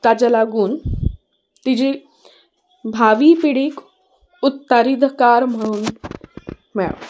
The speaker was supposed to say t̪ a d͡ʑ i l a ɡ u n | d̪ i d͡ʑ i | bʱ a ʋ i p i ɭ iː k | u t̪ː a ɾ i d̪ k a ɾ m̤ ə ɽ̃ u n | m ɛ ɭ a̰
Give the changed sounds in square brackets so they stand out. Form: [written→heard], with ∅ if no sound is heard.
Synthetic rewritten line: t̪ a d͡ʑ [i→a] l a ɡ [u→uː] n | [d̪→t̪] i d͡ʑ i | bʱ a ʋ i p i [ɭ→ɽ] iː k | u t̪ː a ɾ i d̪ k a ɾ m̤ ə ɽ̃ [u→uː] n | m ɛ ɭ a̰